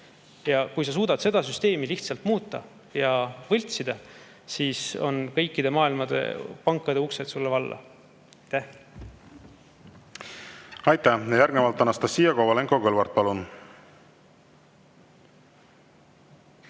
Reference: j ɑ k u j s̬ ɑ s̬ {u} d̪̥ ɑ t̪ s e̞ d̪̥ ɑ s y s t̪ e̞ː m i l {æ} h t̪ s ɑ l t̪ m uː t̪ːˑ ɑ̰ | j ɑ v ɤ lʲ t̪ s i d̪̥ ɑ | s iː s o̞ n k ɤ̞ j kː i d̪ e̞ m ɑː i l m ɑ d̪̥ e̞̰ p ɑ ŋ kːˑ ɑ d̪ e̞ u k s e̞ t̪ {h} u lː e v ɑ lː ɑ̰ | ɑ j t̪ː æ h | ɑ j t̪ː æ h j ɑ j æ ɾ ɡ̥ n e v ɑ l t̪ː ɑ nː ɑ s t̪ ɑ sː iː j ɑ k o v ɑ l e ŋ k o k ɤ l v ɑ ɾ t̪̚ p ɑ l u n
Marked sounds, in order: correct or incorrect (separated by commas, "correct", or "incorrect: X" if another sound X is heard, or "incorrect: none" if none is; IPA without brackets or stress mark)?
incorrect: uː, incorrect: i, incorrect: s